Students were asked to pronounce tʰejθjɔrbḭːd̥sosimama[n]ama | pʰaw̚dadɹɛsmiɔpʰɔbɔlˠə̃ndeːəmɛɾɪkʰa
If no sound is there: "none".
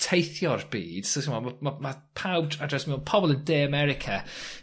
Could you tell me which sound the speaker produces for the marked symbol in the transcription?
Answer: m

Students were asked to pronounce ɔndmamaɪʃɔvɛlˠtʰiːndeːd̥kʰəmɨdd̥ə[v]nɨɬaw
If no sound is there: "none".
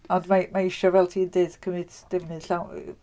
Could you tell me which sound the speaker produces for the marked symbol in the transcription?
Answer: v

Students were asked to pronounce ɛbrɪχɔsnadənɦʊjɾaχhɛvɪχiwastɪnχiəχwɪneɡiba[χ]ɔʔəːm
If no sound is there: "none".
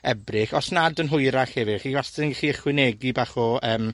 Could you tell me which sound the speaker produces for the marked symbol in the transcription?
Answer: χ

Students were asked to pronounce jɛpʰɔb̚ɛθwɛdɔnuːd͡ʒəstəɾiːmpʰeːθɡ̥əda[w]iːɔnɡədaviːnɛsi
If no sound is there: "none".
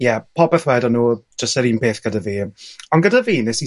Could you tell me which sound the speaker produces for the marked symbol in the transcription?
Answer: v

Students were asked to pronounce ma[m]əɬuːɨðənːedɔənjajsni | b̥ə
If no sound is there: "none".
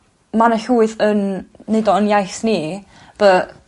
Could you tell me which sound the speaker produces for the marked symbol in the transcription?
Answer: n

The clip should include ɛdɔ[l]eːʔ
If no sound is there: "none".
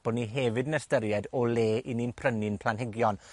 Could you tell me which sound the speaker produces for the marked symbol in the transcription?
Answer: l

